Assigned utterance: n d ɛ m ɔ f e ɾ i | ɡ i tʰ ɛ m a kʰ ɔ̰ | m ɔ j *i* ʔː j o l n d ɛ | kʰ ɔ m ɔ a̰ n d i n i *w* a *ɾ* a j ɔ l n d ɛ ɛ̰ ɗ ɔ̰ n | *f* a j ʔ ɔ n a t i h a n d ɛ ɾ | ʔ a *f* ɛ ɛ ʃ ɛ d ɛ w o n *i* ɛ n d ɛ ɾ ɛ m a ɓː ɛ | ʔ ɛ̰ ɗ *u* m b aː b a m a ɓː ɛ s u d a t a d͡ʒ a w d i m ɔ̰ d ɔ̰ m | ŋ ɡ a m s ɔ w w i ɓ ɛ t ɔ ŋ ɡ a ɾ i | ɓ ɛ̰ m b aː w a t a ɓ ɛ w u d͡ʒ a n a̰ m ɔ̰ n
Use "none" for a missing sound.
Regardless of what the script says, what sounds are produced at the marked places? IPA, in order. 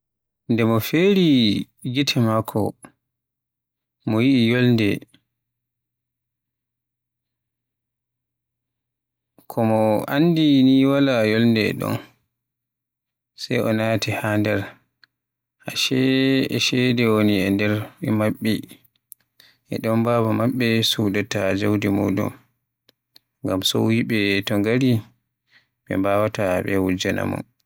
i, w, l, s, ʃ, i, ɔ

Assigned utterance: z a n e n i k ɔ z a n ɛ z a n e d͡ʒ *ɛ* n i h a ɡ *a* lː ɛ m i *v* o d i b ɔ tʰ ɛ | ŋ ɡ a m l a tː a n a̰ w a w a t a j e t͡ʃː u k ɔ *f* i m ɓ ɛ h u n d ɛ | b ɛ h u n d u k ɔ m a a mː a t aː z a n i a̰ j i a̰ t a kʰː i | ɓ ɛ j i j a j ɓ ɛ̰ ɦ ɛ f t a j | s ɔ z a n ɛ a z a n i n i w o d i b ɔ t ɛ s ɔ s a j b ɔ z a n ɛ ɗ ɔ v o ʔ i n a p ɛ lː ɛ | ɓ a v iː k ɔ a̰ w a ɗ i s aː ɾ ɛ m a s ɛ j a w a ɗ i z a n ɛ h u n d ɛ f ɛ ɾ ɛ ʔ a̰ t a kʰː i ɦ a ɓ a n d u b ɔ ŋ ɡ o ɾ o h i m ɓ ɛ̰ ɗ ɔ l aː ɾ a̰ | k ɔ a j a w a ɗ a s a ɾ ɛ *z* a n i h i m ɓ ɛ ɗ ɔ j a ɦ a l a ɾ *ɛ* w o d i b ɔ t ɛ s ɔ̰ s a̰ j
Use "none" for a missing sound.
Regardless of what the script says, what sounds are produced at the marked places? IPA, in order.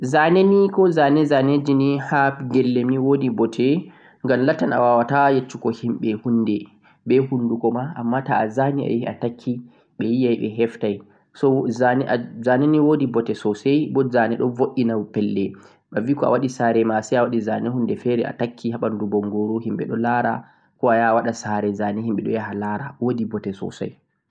i, ɛ, w, h, z, a

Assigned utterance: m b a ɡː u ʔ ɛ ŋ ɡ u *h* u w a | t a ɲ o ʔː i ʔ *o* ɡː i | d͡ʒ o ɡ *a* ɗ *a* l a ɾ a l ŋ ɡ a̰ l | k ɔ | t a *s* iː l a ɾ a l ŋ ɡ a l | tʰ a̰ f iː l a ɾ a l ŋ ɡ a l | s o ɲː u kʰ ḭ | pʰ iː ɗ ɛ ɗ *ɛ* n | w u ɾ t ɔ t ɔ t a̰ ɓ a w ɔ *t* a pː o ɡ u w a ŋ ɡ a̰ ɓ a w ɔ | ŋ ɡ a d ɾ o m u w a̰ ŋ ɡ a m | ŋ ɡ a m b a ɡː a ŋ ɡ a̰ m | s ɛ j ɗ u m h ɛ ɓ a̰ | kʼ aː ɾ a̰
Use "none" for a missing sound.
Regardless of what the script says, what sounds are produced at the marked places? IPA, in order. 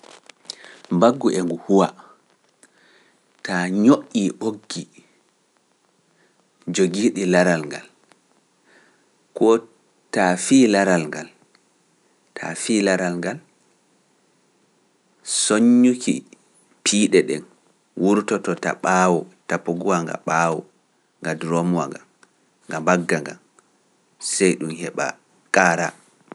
h, o, i, i, f, ɛ, t

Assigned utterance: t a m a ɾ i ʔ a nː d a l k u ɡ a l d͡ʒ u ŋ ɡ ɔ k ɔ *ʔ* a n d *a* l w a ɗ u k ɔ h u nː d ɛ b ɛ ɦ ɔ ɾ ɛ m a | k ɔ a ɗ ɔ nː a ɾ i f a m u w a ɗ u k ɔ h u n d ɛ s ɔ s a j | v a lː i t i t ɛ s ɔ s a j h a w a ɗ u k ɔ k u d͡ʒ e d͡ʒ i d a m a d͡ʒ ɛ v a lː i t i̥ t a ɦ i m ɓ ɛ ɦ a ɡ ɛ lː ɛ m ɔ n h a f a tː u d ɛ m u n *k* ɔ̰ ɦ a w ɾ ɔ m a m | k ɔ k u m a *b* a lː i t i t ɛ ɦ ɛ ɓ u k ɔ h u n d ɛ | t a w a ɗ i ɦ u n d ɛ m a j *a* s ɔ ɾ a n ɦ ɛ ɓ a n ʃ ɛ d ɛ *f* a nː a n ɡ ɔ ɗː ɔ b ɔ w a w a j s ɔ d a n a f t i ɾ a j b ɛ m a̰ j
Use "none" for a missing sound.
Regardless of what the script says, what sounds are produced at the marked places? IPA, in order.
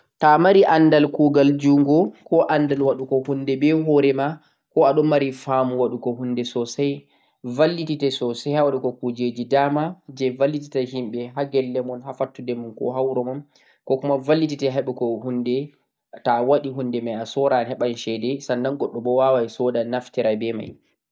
ʔ, a, k, v, a, s

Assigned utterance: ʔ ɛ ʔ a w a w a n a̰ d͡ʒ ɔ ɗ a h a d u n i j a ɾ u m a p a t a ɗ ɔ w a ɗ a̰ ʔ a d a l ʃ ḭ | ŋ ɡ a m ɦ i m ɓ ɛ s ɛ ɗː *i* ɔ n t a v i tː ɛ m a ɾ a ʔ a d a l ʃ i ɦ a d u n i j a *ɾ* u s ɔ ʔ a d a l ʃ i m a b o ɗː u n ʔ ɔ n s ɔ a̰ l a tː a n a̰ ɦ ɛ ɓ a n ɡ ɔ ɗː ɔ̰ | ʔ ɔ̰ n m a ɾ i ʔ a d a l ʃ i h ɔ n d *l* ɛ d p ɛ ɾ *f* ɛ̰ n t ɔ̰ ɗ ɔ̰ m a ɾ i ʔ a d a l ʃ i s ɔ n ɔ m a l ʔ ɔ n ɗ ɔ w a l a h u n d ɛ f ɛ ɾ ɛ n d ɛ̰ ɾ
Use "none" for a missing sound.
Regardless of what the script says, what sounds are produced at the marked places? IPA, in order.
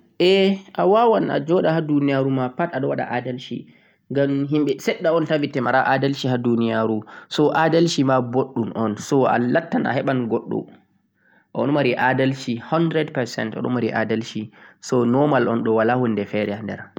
a, ɾ, ɾ, s

